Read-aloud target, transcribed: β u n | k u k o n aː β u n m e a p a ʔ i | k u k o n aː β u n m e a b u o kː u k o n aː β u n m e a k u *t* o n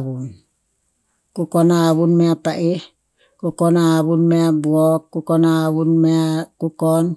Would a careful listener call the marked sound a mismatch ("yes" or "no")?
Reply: yes